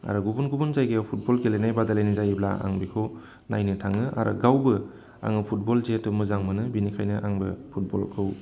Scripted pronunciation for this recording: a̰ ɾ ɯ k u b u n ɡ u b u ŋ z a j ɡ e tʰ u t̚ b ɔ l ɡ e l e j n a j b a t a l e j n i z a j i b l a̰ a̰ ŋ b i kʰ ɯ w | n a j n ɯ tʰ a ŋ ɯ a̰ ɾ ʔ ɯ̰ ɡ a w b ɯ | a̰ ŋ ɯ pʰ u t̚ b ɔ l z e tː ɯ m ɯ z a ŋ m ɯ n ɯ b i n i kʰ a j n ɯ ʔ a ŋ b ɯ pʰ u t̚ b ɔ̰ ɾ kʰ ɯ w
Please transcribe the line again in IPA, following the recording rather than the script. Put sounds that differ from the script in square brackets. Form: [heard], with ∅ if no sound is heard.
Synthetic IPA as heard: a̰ ɾ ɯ [ɡ] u b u n ɡ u b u [n] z a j ɡ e [pʰ] u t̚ b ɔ l ɡ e l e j n a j b a [d] a l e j n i z a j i b l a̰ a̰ ŋ b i kʰ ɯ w | n a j n ɯ tʰ a ŋ ɯ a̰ ɾ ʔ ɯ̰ ɡ a w b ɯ | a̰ ŋ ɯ pʰ u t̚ b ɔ l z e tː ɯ m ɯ z a ŋ m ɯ n ɯ b i n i kʰ a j n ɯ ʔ a ŋ b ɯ pʰ u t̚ b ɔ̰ [l] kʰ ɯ w